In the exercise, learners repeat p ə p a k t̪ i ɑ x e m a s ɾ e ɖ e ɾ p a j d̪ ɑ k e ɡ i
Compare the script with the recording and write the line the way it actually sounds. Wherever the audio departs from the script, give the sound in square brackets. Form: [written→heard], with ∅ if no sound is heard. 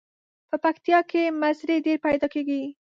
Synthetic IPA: p ə p a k t̪ [i→j] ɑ [x→k] e m a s ɾ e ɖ e ɾ p a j d̪ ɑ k e ɡ i